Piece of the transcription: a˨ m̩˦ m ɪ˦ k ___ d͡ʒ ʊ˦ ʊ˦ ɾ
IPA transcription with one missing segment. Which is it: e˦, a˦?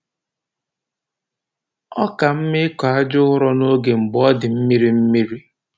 a˦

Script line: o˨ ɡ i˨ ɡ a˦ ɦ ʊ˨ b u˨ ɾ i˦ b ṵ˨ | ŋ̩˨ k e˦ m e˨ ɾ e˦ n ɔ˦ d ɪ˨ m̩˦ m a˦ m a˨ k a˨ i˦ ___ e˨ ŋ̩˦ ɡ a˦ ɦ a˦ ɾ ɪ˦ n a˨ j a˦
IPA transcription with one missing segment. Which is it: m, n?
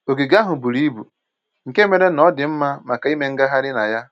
m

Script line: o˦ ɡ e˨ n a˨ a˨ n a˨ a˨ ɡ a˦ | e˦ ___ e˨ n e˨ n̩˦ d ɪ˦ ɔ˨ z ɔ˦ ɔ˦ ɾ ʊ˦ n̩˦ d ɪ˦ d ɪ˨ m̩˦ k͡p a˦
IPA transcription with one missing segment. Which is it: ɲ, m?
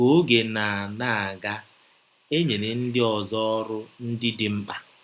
ɲ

